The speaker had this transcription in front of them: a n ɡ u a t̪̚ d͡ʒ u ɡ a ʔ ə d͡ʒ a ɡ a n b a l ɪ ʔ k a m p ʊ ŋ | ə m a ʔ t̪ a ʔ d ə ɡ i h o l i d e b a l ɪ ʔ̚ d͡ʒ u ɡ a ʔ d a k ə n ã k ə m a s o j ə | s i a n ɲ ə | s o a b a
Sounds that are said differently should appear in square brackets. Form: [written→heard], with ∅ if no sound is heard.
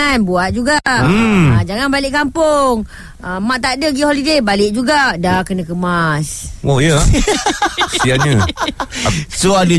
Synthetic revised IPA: a n [ɡ→b] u a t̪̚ d͡ʒ u ɡ a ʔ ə d͡ʒ a [ɡ→ŋ] a n b a l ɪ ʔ k a m p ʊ ŋ | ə m a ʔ t̪ a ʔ d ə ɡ i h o l i d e b a l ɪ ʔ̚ d͡ʒ u ɡ a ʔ d a k ə n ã k ə m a s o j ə | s i a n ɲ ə | s o a [b→d] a